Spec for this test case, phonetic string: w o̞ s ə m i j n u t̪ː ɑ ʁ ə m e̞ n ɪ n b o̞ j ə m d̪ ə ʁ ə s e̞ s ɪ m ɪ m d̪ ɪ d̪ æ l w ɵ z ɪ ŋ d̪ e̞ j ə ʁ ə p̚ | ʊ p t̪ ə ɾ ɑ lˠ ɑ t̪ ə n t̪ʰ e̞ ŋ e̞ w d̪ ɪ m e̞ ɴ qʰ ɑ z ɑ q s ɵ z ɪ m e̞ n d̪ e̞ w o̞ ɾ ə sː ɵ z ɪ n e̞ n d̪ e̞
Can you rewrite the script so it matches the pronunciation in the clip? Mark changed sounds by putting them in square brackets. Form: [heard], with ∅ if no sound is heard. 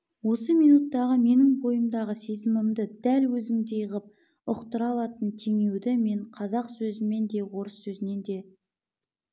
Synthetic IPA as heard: w o̞ s ə m i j n u t̪ː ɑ ʁ ə m e̞ n ɪ [ŋ] b o̞ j ə m d̪ [ɑ] ʁ ə s e̞ [z] ɪ m ɪ m d̪ ɪ d̪ æ l w ɵ z ɪ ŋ d̪ e̞ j ə ʁ ə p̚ | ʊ [q] t̪ ə ɾ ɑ lˠ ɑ t̪ ə n t̪ʰ e̞ ŋ e̞ w d̪ ɪ m e̞ ɴ qʰ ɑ z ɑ q s ɵ z ɪ m e̞ n d̪ e̞ w o̞ ɾ ə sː ɵ z ɪ n e̞ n d̪ e̞